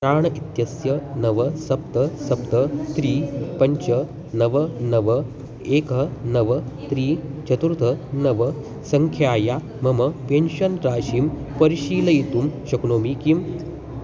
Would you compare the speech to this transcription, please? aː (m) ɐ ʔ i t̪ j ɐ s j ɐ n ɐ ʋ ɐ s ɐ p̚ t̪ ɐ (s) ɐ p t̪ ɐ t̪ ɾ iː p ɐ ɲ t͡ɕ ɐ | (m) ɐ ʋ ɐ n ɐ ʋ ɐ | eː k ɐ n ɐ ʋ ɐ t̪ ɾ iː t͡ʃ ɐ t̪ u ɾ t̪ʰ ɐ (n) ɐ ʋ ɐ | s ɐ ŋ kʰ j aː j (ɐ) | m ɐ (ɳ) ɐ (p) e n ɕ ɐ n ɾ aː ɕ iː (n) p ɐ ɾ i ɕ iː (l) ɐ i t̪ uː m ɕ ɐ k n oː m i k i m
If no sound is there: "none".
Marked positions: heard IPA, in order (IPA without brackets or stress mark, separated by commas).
ɳ, s, n, n, a, m, p, m, l